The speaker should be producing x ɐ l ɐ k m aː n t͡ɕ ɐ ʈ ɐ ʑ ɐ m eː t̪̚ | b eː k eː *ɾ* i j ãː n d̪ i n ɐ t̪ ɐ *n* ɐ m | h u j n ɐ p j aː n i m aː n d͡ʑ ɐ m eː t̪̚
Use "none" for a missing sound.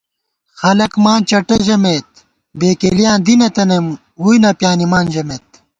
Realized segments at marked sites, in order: l, n

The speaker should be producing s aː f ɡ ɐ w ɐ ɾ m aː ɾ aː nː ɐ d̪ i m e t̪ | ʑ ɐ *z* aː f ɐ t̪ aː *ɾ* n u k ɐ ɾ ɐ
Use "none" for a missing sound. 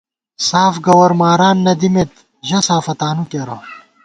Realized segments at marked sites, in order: s, none

